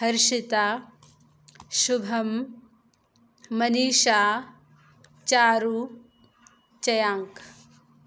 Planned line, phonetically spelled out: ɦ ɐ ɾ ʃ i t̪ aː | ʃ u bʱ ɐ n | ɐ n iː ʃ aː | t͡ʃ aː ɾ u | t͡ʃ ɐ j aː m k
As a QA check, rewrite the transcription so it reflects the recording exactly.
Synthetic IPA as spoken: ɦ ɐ ɾ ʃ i t̪ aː | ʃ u bʱ ɐ m | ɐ n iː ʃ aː | t͡ʃ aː ɾ u | t͡ʃ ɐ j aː ŋ k